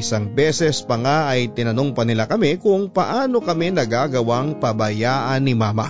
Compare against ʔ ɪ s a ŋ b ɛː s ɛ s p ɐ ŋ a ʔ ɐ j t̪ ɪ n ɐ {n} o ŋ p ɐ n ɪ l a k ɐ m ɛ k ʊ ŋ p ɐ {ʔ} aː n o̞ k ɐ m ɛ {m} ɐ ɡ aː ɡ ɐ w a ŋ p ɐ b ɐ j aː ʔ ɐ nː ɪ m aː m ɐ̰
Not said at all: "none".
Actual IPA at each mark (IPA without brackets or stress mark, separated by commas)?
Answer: n, ʔ, n